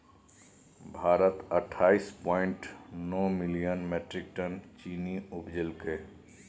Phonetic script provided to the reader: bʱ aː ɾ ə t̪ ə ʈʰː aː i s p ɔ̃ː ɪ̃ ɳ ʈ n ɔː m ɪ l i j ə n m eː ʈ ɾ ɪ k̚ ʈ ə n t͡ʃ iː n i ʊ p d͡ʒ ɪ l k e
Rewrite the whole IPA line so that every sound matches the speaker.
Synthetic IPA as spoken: bʱ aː ɾ ə t̪ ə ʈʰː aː i s p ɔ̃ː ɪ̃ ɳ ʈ n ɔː m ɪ l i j ə n m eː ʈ ɾ ɪ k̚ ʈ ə n t͡ʃ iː n i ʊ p d͡ʒ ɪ l k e

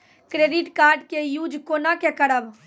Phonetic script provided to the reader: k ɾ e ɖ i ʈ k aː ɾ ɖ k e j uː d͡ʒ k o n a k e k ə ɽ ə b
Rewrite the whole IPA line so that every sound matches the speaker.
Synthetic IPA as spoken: k ɾ e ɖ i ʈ k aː ɾ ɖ k e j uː d͡ʒ k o n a k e k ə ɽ ə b

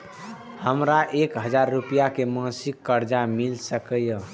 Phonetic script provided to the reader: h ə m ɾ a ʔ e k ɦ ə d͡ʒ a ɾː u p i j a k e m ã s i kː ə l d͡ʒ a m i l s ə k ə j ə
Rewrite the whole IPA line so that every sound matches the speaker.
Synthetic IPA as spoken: h ə m ɾ a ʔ e k ɦ ə d͡ʒ a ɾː u p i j a k e m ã s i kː ə ɾ d͡ʒ a m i l s ə k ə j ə

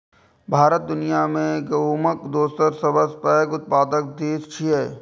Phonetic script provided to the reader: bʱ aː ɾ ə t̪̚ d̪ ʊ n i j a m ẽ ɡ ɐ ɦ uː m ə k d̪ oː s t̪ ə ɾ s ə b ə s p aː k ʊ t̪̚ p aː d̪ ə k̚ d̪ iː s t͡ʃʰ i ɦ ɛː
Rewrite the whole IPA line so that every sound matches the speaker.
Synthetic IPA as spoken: bʱ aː ɾ ə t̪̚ d̪ ʊ n i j a m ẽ ɡ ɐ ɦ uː m ə k d̪ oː s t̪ ə ɾ s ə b ə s p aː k ʊ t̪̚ p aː d̪ ə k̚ d̪ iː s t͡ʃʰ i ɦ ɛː

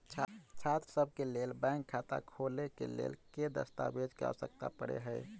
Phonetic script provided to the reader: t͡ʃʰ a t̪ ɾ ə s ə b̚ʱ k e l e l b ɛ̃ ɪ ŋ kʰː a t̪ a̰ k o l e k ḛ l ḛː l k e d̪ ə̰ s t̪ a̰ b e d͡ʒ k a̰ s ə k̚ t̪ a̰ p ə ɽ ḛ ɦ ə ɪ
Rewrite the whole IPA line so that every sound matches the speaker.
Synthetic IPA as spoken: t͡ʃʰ a t̪ ɾ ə s ə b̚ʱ k e l e l b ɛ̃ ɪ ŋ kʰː a t̪ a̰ kʰ o l e k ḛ l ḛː l k e d̪ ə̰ s t̪ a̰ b e d͡ʒ k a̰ s ə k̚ t̪ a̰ p ə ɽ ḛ ɦ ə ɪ

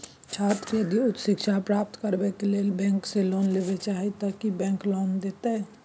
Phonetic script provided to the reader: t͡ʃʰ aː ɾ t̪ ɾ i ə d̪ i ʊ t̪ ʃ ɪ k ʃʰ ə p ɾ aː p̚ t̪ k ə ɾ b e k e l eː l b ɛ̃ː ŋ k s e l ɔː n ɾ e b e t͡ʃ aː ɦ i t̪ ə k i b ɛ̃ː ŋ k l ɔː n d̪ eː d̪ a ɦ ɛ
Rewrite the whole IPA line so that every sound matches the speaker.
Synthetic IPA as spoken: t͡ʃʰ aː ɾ t̪ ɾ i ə d̪ i ʊ t̪ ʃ ɪ k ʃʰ a p ɾ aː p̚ t̪ k ə ɾ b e k e l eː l b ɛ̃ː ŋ k s e l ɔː n l e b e t͡ʃ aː ɦ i t̪ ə k i b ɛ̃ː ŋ k l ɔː n d̪ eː t̪ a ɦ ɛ

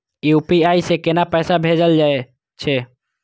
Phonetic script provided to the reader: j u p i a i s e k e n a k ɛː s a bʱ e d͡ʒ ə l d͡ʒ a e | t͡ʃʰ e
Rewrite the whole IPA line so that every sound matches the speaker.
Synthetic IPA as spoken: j u p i a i s e k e n a p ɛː s a bʱ e d͡ʒ ə l d͡ʒ a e | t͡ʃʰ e

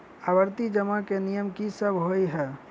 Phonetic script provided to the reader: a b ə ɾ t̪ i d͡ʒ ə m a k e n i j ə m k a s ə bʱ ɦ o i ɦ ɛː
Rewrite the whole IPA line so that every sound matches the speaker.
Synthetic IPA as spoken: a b ə ɾ t̪ i d͡ʒ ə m a k e n i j ə m k i s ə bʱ ɦ o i ɦ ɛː

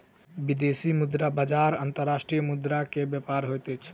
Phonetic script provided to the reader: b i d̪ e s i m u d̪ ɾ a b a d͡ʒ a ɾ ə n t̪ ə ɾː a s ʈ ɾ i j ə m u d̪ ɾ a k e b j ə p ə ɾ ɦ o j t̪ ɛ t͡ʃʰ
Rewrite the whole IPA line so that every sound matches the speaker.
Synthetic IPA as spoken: b i d̪ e s i m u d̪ ɾ a b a d͡ʒ a ɾ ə n t̪ ə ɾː a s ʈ ɾ i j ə m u d̪ ɾ a k e b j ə p a ɾ ɦ o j t̪ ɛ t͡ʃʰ

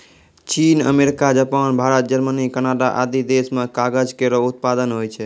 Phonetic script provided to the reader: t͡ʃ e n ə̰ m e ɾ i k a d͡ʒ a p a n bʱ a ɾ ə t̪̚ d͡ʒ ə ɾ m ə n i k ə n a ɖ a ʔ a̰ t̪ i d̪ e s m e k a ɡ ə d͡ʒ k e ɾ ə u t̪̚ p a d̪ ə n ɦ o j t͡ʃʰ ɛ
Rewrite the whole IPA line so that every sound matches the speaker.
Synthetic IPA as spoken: t͡ʃ i n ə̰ m e ɾ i k a d͡ʒ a p a n bʱ a ɾ ə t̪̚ d͡ʒ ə ɾ m ə n i k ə n a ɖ a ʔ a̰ d̪ i d̪ e s m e k a ɡ ə d͡ʒ k e ɾ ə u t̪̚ p a d̪ ə n ɦ o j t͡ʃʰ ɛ

